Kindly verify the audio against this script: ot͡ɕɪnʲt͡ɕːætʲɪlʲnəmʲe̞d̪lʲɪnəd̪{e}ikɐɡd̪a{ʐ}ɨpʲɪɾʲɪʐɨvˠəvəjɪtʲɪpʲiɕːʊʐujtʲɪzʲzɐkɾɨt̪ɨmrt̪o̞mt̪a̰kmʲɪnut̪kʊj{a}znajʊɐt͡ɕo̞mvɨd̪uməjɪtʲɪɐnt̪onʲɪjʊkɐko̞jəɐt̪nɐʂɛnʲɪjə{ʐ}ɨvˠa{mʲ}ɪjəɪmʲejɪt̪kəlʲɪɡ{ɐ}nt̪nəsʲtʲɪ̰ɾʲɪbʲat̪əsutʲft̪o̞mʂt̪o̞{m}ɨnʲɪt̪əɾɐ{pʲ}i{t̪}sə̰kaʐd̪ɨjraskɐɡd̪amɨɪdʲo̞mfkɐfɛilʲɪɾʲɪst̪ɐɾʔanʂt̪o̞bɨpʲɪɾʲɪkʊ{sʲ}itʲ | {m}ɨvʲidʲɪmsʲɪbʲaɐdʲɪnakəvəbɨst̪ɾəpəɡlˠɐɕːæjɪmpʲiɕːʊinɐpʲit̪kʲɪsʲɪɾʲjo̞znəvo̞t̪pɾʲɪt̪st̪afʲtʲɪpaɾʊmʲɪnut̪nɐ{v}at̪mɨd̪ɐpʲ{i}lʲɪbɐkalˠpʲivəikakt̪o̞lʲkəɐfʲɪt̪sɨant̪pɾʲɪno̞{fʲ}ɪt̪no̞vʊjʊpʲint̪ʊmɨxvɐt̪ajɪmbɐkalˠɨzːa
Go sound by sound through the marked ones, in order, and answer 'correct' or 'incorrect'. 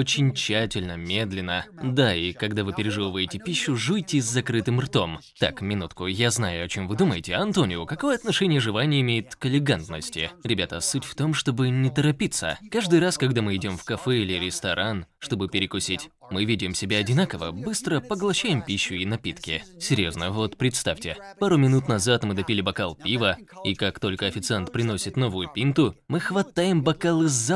incorrect: a, incorrect: v, correct, correct, incorrect: nʲ, incorrect: a, incorrect: b, correct, correct, correct, correct, incorrect: z, correct, incorrect: sʲ

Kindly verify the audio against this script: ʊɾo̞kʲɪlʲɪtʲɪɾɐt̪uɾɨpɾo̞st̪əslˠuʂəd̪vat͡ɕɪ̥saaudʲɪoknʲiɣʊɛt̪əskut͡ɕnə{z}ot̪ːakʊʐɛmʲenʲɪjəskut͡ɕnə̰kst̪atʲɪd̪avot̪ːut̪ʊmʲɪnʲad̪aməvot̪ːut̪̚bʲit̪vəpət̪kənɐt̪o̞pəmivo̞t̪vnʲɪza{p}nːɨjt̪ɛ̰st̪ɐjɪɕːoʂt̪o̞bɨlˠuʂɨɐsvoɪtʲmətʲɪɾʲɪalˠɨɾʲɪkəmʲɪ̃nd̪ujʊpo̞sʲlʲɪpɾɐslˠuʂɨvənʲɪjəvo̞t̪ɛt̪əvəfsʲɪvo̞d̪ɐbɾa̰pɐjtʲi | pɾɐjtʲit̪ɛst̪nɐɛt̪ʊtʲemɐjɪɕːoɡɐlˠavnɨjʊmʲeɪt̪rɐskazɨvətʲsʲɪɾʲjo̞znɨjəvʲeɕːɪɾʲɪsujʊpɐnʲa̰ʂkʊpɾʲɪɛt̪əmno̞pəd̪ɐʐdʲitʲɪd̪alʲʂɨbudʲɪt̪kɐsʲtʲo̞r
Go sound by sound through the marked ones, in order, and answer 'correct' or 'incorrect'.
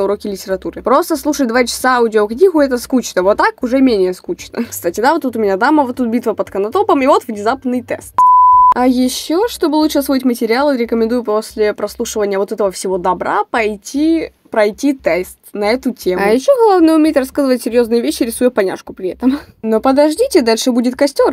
incorrect: v, correct

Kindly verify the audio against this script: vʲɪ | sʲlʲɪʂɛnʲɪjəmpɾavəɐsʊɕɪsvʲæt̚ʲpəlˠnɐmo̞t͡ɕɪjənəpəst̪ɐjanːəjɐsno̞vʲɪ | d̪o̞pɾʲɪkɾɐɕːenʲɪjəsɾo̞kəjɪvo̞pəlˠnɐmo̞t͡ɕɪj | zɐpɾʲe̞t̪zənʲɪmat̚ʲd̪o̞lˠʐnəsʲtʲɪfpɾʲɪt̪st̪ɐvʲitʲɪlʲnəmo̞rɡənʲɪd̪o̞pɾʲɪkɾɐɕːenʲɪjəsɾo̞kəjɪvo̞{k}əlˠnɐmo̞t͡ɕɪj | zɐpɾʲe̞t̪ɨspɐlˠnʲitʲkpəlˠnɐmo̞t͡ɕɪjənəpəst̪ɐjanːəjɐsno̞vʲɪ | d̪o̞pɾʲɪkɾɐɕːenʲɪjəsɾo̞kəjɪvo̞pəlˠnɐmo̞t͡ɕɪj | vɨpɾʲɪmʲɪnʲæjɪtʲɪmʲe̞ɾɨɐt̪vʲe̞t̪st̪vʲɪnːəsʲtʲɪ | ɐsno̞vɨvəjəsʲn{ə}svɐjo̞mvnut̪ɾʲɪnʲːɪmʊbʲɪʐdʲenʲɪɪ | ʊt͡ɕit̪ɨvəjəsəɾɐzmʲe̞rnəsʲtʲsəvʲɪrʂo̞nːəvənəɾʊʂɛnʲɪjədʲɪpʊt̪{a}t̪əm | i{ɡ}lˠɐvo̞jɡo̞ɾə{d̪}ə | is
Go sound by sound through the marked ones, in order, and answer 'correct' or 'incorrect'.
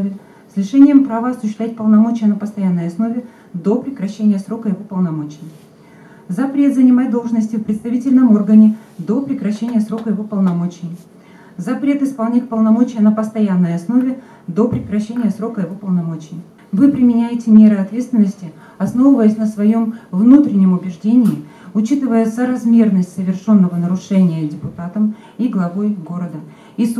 incorrect: p, correct, correct, correct, correct

